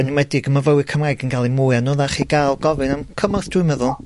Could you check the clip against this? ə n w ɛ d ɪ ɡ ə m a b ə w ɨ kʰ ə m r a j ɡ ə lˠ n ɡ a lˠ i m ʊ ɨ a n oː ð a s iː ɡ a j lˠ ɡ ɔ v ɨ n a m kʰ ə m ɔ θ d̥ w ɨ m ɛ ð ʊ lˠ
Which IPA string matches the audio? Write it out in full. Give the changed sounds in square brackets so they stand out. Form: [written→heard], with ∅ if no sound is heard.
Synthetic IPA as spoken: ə n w ɛ d ɪ ɡ ə m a [b→v] ə w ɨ kʰ ə m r a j ɡ ə [lˠ→∅] n ɡ a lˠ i m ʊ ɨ a n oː ð a [s→χ] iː ɡ a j lˠ ɡ ɔ v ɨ n a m kʰ ə m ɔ θ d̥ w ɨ m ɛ ð ʊ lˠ